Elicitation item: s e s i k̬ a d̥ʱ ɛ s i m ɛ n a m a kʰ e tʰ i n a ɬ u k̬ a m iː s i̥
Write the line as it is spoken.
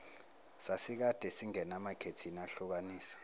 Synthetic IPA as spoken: s a s i k̬ a d̥ʱ ɛ s i ŋ ɛ n a m a kʰ e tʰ i n a ɬ u k̬ a n iː s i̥